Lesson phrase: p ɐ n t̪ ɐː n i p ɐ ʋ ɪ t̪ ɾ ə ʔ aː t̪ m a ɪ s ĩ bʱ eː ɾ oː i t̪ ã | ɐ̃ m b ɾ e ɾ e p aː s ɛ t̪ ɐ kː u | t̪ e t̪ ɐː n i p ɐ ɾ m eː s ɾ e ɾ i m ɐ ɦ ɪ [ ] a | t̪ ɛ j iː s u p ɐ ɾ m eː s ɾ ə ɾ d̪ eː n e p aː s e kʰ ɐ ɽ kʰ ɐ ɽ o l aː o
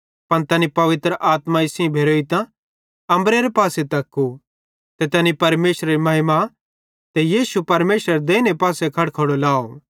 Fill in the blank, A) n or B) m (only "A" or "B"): B